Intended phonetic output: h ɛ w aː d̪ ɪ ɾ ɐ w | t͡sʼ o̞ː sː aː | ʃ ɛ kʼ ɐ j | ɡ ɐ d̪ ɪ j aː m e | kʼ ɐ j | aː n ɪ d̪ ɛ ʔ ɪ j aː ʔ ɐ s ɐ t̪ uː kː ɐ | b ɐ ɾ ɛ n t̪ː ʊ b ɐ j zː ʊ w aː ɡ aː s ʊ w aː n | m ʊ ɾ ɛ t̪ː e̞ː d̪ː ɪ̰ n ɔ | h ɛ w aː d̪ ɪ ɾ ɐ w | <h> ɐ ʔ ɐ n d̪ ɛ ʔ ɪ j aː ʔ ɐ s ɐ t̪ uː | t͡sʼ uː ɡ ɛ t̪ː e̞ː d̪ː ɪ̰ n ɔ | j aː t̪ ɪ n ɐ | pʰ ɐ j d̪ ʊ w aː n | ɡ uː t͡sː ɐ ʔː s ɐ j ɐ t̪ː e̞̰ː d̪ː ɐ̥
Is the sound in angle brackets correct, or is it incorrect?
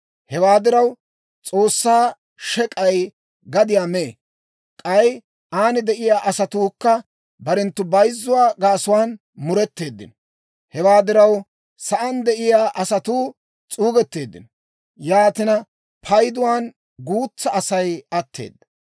incorrect